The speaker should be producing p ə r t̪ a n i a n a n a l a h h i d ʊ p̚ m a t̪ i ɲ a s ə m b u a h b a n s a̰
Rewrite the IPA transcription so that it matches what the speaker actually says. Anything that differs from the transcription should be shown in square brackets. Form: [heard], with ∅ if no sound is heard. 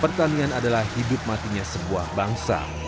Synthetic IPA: p ə r t̪ a n i a n a [d] a l a h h i d ʊ p̚ m a t̪ i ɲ a s ə [∅] b u a h b a [ŋ] s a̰